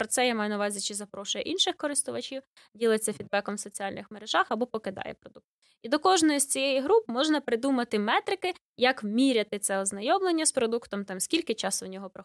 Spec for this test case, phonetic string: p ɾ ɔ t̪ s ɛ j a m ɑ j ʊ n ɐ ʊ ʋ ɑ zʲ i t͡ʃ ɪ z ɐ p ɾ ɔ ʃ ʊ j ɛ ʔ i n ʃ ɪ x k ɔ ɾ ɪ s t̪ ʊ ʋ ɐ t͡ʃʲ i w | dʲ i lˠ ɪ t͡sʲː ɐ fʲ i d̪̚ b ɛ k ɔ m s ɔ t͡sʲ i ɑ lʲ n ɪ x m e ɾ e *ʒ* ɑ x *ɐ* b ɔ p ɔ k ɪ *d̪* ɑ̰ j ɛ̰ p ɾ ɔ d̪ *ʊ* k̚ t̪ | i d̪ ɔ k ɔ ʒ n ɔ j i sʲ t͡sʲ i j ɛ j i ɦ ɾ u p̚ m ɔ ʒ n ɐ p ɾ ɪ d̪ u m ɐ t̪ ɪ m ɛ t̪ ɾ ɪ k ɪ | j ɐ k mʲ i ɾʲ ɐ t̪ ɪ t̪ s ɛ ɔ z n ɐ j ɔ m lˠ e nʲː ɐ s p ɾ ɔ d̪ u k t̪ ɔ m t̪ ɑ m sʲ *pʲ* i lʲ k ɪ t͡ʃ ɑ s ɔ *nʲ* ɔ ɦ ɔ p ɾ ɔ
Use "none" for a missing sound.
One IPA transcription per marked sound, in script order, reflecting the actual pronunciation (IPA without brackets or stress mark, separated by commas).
ʒ, ɐ, d̪, u, kʲ, nʲ